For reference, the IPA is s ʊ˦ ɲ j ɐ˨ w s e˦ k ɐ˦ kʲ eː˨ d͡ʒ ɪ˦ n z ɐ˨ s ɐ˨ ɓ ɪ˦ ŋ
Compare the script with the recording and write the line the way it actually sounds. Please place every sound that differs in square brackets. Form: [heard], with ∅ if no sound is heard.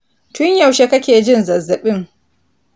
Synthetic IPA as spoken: [t] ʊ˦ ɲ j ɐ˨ w [ʃ] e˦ k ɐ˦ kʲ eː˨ d͡ʒ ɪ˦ n z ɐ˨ [z] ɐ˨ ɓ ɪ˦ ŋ